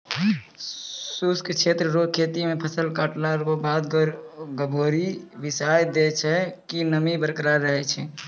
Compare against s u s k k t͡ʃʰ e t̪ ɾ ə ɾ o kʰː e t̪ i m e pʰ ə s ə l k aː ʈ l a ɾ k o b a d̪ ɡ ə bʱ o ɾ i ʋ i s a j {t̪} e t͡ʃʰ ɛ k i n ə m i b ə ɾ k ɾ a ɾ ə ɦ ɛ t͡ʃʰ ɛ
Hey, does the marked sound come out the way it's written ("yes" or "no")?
no